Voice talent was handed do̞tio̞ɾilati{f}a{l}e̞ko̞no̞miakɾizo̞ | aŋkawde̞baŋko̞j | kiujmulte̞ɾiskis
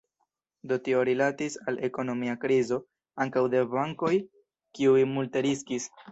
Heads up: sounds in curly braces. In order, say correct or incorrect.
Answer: incorrect, correct

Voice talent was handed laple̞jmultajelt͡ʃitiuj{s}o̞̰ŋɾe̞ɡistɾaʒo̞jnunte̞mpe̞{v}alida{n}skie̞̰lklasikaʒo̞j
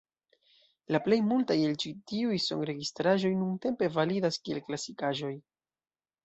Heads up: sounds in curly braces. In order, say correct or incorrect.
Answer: correct, correct, incorrect

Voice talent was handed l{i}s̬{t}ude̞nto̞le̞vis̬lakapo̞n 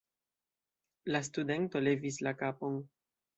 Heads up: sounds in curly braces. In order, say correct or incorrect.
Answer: incorrect, correct

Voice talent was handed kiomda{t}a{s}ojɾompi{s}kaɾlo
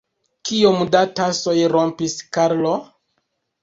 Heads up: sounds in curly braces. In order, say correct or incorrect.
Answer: correct, correct, correct

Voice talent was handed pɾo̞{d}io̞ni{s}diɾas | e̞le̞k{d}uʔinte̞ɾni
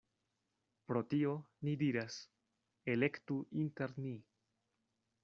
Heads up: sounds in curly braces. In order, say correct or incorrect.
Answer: incorrect, incorrect, incorrect

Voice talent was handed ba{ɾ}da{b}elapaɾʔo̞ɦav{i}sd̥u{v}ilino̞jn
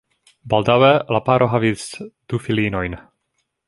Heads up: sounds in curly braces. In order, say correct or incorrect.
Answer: incorrect, incorrect, correct, incorrect

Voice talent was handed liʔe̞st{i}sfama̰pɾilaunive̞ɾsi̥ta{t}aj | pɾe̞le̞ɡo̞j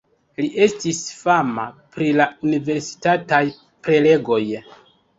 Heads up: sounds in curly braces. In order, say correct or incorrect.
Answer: correct, correct

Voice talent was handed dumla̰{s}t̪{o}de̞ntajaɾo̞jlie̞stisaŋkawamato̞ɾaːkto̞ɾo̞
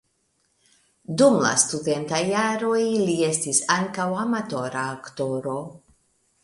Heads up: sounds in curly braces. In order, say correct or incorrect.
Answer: correct, incorrect

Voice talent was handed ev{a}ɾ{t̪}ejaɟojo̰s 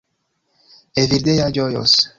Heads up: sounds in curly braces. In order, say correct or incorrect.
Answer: incorrect, incorrect

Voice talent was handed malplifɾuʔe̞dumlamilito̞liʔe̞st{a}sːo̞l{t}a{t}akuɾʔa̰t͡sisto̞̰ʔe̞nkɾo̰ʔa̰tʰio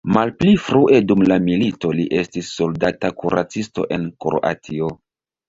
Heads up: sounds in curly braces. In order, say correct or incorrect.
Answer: incorrect, incorrect, correct

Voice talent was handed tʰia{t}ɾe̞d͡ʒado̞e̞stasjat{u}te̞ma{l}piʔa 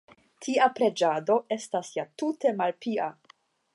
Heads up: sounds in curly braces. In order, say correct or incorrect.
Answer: incorrect, correct, correct

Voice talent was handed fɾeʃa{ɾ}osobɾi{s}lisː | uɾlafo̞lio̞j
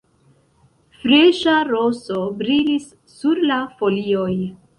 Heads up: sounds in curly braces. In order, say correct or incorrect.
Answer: correct, incorrect

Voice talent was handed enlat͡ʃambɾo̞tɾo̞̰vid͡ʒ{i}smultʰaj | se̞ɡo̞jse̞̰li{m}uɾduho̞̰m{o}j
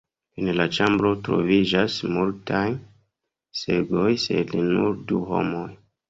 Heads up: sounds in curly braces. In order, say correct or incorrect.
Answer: incorrect, incorrect, correct

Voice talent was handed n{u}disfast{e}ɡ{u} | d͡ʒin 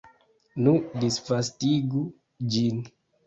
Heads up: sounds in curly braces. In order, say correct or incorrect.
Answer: correct, incorrect, correct

